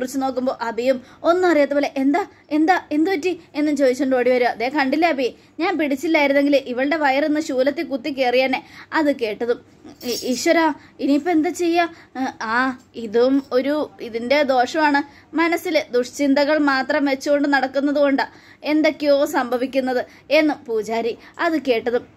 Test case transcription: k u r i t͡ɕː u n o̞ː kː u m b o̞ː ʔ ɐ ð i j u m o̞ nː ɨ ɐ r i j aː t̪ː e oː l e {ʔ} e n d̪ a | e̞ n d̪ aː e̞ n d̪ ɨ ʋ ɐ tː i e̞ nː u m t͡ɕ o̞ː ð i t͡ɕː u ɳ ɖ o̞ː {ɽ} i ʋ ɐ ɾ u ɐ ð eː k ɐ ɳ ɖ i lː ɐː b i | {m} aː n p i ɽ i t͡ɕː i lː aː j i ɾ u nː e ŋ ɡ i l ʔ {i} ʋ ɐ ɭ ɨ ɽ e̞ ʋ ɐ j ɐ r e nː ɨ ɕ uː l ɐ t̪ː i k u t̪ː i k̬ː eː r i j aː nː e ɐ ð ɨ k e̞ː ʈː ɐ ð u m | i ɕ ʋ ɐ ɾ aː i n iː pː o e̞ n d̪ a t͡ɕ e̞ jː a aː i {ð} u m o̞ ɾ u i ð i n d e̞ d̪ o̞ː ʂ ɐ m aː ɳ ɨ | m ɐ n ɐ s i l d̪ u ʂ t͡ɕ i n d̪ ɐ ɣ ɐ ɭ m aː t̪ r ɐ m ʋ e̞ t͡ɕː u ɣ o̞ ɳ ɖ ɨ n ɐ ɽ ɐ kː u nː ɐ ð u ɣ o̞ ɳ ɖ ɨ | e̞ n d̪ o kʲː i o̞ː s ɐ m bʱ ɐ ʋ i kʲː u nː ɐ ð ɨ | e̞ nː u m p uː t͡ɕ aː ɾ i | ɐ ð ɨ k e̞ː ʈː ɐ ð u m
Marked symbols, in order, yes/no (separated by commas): yes, yes, no, yes, yes